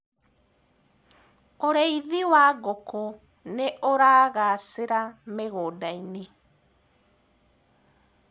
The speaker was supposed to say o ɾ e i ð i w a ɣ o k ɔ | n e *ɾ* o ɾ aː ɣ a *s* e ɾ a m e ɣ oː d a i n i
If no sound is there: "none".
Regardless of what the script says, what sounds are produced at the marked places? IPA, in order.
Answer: none, s

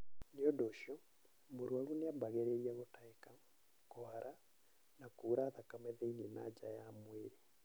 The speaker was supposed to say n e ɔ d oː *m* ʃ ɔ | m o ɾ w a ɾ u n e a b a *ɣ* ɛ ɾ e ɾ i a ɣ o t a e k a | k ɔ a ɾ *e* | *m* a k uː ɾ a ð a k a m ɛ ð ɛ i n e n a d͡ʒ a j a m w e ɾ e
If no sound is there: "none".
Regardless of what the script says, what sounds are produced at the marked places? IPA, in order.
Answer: none, ɣ, a, n

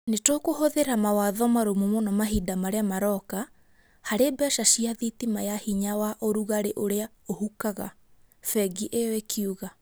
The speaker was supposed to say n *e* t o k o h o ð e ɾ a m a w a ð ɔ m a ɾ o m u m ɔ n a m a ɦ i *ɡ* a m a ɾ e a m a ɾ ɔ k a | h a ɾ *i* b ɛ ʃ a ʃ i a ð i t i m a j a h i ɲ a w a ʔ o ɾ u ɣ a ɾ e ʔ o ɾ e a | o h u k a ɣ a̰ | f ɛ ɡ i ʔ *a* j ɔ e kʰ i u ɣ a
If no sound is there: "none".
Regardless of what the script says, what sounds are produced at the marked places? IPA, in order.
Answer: e, d, e, e

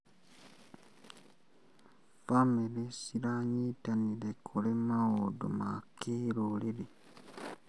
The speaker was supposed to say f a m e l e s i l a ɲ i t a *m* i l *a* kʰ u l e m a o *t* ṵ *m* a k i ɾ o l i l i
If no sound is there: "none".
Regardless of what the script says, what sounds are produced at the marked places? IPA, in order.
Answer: n, e, d, m

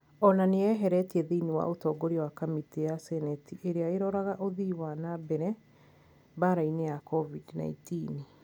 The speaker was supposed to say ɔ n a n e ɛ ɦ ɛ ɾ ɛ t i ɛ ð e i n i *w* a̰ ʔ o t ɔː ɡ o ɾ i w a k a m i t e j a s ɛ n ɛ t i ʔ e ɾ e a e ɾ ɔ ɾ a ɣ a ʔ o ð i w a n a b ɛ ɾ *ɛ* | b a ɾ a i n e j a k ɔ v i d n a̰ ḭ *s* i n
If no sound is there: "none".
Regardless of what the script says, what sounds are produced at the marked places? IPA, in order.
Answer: w, ɛ, t

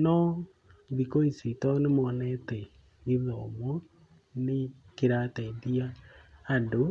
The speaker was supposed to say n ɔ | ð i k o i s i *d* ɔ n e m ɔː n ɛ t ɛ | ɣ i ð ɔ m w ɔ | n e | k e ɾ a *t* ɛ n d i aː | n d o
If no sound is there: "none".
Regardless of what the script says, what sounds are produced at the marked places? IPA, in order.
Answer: t, t

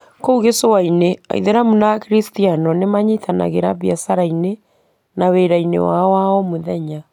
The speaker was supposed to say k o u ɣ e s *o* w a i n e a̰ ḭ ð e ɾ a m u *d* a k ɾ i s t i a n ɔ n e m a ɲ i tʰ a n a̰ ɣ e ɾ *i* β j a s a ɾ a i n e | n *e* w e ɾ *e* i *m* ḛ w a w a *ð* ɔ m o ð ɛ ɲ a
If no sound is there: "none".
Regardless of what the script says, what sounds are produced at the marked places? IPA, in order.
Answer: o, n, a, a, a, n, none

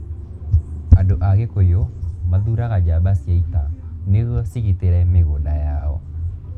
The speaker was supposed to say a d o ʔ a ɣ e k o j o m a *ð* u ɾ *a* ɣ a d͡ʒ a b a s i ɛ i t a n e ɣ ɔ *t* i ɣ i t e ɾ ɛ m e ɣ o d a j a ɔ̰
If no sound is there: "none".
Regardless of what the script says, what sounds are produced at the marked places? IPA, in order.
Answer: ð, a, s

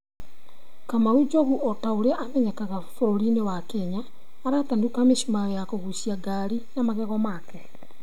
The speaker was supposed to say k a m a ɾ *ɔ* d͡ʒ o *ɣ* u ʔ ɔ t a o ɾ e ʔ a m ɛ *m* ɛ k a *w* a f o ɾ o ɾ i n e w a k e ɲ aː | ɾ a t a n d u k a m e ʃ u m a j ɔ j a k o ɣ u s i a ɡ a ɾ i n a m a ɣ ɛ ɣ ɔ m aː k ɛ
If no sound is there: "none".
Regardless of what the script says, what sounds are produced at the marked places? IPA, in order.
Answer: u, ɣ, ɲ, ɣ

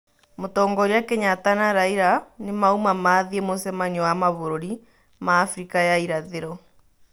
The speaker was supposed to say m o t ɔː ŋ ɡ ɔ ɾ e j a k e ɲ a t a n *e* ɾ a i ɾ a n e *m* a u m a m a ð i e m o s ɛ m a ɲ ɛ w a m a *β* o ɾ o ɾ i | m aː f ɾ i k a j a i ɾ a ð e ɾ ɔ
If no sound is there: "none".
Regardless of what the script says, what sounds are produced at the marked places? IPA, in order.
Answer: a, m, β

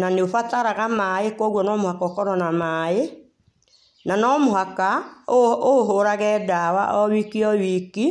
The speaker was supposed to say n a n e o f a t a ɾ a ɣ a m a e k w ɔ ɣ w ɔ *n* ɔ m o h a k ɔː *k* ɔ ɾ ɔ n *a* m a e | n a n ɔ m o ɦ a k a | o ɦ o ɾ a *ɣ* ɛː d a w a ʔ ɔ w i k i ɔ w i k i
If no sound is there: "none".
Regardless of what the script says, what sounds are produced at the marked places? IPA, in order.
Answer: n, k, a, ɣ

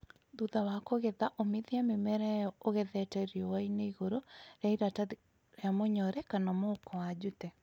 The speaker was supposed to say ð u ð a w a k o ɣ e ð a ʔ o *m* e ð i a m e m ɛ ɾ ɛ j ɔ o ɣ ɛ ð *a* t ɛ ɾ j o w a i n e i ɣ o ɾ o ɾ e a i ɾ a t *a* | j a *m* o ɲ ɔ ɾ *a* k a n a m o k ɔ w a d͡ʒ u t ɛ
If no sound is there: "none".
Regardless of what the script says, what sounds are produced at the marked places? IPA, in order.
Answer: m, ɛ, a, m, ɛ

